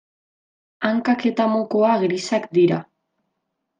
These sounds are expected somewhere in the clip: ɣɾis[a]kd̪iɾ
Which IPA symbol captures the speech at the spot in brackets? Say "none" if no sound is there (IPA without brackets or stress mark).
a